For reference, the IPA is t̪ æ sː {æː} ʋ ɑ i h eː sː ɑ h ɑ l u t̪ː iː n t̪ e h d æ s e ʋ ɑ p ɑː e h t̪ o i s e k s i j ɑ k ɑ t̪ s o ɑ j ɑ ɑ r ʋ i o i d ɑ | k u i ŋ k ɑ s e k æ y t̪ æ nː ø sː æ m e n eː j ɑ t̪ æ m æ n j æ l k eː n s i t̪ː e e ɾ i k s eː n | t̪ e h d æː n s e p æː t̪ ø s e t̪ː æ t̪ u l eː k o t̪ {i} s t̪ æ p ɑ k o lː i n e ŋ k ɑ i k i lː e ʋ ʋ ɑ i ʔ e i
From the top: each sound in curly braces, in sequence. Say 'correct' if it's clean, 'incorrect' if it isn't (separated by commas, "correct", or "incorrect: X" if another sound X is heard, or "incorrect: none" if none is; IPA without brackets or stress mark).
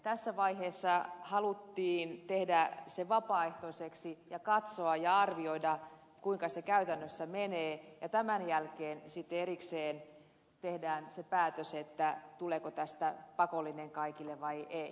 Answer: incorrect: æ, incorrect: æ